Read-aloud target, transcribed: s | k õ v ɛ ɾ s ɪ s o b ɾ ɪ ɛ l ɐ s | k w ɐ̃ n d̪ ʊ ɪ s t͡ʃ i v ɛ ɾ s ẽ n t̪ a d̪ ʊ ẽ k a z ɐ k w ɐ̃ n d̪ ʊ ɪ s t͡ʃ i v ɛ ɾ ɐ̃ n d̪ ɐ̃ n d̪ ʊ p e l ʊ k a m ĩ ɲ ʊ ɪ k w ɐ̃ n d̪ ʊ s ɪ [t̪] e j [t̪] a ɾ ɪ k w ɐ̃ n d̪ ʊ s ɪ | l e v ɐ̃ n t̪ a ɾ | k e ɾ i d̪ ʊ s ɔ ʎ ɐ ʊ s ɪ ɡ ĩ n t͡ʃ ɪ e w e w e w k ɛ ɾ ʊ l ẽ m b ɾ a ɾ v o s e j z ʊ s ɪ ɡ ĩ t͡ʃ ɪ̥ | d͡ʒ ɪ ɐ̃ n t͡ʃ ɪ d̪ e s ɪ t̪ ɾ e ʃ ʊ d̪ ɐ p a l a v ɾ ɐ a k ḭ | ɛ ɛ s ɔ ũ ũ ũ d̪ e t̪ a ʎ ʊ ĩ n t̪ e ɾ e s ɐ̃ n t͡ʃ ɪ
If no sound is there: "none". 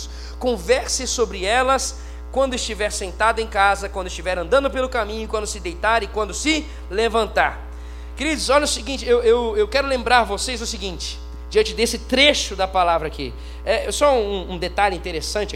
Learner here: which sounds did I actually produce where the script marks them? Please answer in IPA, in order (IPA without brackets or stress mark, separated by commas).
d̪, t̪